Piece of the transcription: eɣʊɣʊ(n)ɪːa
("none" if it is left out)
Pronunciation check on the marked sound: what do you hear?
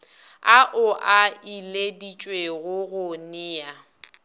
n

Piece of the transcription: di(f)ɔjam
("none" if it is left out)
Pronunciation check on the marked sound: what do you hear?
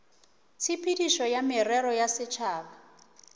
ʃ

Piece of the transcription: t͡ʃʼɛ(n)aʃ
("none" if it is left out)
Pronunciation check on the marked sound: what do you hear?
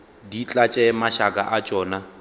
m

